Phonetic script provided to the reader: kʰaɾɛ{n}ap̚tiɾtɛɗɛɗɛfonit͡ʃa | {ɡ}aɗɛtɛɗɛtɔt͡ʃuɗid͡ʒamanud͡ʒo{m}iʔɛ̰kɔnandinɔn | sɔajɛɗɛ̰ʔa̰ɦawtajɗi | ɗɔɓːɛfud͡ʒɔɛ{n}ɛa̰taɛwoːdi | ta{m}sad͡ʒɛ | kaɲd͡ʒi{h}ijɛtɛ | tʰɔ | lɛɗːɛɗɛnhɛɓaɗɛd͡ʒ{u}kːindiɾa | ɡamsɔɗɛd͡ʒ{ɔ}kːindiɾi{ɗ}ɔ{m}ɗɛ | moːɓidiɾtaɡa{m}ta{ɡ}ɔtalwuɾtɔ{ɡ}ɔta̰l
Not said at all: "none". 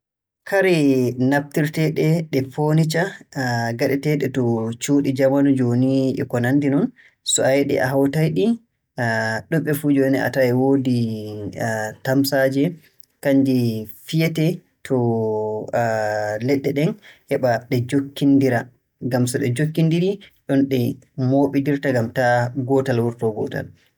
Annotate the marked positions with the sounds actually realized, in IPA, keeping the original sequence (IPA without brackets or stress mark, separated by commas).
n, ɡ, n, n, m, f, o, o, ɗ, n, m, ɡ, ɡ